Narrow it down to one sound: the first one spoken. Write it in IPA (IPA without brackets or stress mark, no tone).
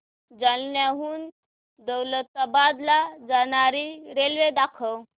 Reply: d͡z